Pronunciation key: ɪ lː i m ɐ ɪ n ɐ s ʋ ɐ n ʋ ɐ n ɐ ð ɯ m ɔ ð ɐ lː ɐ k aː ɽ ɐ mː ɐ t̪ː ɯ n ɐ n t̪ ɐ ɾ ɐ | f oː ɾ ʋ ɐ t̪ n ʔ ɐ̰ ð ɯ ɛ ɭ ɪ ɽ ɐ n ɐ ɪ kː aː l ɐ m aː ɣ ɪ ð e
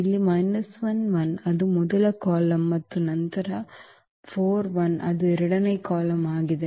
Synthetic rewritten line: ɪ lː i m ɐ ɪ n ɐ s ʋ ɐ n ʋ ɐ n ɐ ð ɯ m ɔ ð ɐ l ɐ k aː l ɐ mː ɐ t̪ː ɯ n ɐ n t̪ ɐ ɾ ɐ | f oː ɾ ʋ ɐ n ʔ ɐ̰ ð ɯ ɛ ɾ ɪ ɽ ɐ n ɐ ɪ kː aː l ɐ m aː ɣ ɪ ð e